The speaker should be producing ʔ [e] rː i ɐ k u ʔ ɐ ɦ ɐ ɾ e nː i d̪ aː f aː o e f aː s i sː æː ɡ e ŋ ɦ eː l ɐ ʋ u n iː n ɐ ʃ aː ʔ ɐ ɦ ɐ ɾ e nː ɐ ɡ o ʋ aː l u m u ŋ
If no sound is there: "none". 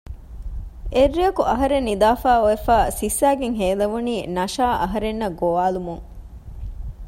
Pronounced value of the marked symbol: e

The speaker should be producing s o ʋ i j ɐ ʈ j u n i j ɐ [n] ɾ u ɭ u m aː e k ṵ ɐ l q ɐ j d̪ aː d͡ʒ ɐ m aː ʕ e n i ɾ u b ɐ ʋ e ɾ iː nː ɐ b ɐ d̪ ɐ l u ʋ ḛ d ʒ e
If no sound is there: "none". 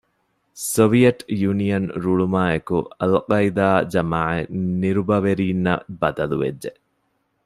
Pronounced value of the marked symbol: n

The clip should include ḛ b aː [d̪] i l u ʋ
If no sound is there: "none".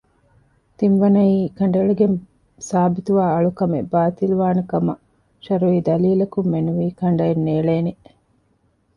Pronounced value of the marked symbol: t̪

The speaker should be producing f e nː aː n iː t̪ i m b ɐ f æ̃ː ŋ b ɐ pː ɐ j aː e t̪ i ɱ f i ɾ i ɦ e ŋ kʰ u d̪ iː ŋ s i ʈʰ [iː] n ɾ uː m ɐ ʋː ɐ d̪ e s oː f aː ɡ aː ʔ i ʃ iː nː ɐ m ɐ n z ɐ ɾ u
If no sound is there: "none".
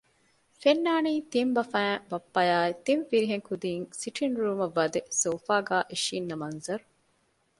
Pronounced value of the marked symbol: i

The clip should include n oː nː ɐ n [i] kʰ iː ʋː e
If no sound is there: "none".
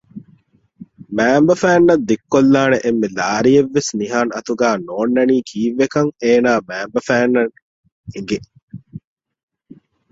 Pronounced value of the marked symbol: iː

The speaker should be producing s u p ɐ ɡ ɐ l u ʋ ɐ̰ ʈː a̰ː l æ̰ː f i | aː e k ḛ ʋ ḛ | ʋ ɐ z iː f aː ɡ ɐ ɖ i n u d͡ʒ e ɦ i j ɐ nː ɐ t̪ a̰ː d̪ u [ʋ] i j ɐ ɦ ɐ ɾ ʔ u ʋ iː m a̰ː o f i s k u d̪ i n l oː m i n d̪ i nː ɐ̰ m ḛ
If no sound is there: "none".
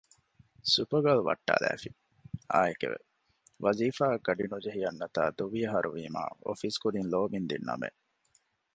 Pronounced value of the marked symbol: ʋ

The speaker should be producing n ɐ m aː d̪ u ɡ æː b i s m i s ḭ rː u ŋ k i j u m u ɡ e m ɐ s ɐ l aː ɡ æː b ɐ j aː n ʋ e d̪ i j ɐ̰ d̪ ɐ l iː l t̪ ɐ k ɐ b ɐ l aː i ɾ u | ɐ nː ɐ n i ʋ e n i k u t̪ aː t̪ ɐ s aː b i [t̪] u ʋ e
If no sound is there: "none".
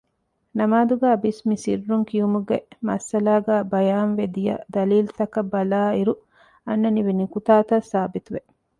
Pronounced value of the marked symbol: t̪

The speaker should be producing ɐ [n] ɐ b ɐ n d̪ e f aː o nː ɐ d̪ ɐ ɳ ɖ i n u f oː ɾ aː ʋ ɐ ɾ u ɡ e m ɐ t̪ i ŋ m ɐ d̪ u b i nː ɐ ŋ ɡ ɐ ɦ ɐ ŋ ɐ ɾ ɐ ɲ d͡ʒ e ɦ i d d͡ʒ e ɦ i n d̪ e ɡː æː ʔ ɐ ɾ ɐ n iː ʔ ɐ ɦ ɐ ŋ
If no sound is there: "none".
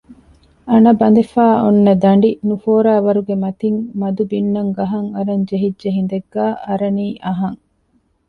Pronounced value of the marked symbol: n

